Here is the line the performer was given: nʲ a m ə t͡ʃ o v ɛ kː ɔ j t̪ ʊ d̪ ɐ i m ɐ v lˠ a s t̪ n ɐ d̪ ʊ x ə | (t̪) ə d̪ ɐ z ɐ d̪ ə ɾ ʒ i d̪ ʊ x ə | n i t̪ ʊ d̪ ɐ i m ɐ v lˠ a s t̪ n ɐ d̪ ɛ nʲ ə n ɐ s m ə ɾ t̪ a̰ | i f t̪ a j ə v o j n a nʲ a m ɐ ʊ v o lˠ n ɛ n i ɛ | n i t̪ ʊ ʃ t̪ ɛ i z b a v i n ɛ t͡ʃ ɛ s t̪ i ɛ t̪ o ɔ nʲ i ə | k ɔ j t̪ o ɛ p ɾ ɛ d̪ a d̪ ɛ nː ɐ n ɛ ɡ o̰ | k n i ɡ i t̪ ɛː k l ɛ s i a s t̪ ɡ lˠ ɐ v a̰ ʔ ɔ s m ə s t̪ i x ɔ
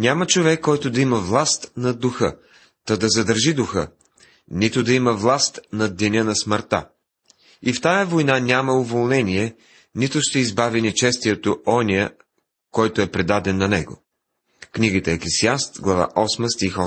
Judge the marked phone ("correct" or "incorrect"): correct